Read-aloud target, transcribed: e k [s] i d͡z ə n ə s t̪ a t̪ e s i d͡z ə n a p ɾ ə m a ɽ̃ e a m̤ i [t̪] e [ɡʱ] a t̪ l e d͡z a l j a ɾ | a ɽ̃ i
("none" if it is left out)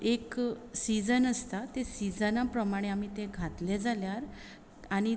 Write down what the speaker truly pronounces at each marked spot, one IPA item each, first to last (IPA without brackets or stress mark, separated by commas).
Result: s, t̪, ɡʱ